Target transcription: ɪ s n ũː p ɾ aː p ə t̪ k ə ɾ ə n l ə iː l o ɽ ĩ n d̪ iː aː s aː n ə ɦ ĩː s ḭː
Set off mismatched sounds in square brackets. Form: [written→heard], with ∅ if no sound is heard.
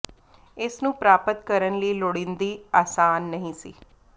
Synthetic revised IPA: ɪ s n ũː p ɾ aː p ə t̪ k ə ɾ ə n l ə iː l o ɽ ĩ n d̪ iː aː s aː [n→nː] ə ɦ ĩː s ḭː